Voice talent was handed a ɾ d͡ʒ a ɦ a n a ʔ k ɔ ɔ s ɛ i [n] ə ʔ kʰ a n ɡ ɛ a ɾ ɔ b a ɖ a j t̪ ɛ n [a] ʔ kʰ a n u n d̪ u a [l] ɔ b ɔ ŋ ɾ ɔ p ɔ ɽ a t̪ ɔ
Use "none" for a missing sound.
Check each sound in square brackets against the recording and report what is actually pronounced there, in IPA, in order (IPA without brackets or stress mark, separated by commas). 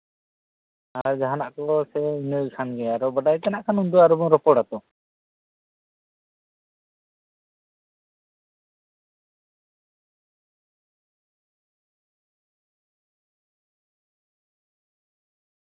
n, a, ɾ